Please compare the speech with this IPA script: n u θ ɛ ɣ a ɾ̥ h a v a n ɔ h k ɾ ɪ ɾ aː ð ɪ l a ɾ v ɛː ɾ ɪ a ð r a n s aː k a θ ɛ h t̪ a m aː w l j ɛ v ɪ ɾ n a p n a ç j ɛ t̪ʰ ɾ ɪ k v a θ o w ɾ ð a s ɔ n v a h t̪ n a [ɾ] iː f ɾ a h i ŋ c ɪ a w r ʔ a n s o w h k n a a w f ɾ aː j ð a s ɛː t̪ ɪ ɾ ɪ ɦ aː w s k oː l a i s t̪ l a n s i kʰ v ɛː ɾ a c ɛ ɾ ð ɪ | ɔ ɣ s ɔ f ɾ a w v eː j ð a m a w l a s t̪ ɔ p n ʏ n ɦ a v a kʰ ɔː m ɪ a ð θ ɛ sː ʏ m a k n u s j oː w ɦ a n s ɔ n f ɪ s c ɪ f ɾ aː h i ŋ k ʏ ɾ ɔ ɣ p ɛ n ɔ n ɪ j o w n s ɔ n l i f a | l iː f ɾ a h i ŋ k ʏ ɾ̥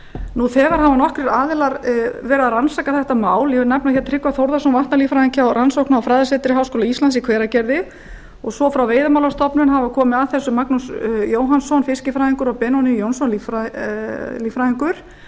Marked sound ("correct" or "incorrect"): incorrect